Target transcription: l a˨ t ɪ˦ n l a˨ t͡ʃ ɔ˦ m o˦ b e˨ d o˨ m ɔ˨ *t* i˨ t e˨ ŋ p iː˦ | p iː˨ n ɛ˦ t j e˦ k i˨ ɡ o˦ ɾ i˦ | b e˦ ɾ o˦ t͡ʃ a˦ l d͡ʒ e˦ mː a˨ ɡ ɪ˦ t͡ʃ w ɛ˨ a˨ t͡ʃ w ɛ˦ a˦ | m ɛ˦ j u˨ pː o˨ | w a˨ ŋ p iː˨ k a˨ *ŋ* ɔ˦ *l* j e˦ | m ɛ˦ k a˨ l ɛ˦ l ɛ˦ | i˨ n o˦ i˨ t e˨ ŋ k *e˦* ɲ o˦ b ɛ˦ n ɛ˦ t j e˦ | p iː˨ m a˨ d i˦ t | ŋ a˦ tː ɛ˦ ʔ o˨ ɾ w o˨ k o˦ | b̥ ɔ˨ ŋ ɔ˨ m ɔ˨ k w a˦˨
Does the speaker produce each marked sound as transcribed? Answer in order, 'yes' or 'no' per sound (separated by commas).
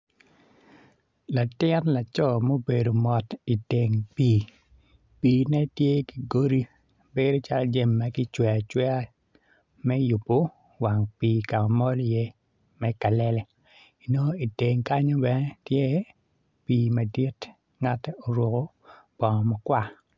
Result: yes, no, yes, no